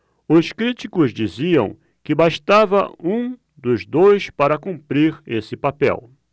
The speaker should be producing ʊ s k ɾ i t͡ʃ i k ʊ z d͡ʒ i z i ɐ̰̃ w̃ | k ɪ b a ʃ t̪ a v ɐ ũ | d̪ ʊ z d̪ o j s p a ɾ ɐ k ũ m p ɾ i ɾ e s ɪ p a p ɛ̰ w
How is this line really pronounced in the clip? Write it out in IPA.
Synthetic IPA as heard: ʊ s k ɾ i t͡ʃ i k ʊ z d͡ʒ i z i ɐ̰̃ w̃ | k ɪ b a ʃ t̪ a v ɐ ũ | d̪ ʊ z d̪ o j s p a ɾ ɐ k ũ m p ɾ i ɾ e s ɪ p a p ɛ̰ w